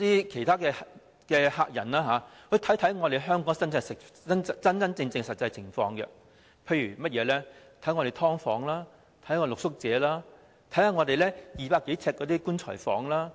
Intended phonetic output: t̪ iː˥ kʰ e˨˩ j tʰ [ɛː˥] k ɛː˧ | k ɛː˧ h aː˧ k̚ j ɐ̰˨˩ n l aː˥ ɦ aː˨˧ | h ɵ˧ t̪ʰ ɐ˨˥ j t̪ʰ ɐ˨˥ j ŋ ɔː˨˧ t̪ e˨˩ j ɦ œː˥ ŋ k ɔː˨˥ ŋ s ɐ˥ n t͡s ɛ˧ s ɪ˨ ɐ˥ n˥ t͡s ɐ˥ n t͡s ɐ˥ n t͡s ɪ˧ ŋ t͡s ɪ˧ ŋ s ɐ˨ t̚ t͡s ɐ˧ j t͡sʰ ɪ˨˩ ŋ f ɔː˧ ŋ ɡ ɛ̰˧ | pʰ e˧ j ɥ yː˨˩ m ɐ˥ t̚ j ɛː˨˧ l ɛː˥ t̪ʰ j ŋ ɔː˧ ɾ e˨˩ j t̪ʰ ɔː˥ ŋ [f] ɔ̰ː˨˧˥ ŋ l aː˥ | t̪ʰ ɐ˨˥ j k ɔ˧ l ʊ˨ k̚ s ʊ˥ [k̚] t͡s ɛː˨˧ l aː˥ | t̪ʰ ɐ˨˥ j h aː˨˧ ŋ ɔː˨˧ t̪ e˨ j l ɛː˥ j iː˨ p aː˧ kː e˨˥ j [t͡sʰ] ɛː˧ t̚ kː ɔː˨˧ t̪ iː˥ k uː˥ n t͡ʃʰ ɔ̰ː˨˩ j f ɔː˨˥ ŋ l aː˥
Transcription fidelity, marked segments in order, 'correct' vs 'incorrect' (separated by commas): incorrect, correct, correct, correct